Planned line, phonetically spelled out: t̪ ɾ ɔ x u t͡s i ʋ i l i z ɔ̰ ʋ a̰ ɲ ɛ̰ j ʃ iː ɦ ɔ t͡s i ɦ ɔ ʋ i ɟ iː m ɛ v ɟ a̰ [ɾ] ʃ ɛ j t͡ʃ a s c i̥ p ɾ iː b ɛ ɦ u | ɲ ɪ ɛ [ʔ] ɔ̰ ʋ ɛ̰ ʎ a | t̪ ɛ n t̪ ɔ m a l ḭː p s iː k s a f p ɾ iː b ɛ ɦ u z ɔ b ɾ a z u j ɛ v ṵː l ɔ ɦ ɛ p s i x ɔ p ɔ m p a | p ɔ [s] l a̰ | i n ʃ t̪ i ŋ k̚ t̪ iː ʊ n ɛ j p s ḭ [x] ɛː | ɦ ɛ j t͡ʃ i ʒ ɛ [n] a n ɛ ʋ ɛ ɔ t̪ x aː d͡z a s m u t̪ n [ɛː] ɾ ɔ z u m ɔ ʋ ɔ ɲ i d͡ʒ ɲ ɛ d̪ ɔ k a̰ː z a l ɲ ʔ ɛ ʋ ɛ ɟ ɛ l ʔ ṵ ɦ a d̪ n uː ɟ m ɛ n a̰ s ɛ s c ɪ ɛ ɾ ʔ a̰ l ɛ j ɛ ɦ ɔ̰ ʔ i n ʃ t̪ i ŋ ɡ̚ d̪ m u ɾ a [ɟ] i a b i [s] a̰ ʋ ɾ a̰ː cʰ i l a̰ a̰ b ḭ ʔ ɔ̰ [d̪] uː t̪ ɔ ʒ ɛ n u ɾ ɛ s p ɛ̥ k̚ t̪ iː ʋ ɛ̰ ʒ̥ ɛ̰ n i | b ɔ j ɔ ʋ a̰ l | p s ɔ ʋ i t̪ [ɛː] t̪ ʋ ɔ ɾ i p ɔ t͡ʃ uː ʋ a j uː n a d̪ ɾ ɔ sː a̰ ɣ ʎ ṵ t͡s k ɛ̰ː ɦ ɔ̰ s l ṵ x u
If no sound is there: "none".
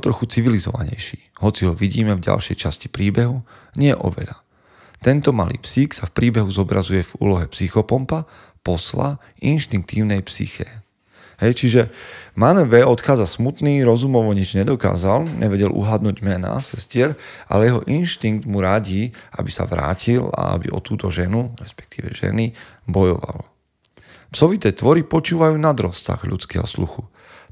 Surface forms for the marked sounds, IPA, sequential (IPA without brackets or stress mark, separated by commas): l, ʔ, s, x, m, iː, ɟ, s, t̪, ɛː